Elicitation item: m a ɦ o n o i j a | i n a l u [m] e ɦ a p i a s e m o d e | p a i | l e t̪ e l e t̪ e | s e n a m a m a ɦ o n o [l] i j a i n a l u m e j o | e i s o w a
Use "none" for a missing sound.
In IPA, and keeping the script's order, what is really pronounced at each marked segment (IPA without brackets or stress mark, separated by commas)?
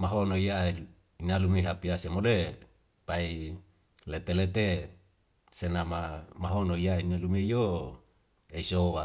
m, none